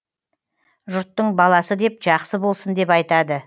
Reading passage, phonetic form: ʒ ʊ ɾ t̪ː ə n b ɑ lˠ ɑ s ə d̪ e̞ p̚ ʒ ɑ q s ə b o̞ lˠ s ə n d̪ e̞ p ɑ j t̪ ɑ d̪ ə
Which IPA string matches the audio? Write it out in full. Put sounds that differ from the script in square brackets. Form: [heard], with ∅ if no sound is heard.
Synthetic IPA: ʒ ʊ ɾ t̪ː ə [ɴ] b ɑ lˠ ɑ s ə d̪ e̞ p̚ ʒ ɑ q s ə b o̞ lˠ s ə n d̪ e̞ p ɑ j t̪ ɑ d̪ ə